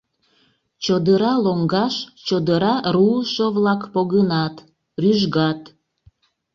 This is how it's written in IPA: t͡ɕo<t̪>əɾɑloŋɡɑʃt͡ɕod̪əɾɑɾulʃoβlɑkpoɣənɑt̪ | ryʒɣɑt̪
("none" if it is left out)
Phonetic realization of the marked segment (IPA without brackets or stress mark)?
d̪